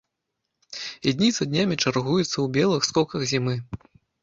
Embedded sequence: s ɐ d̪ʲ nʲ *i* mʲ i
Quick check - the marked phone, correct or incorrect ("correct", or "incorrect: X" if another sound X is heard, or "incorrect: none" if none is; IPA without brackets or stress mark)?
incorrect: a